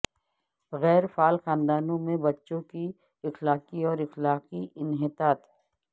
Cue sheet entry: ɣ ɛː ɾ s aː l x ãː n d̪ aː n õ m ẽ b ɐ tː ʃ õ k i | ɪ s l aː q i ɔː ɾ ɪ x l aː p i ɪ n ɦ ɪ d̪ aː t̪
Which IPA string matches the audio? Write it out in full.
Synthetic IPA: ɣ ɛː ɾ f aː l x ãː n d̪ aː n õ m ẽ b ɐ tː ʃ õ k i | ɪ x l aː q i ɔː ɾ ɪ x l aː q i ɪ n ɦ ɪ t̪ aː t̪